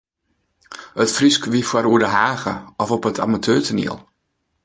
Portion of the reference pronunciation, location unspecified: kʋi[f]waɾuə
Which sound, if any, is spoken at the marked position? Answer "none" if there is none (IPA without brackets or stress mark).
f